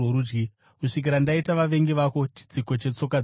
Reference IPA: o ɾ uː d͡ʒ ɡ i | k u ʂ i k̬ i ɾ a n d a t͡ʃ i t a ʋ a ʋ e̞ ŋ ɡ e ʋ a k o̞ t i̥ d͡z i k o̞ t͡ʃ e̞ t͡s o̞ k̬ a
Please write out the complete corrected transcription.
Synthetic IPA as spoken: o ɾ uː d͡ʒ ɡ i | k u ʂ i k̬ i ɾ a n d a i t a ʋ a ʋ e̞ ŋ ɡ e ʋ a k o̞ t͡ʃ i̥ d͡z i k o̞ t͡ʃ e̞ t͡s o̞ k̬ a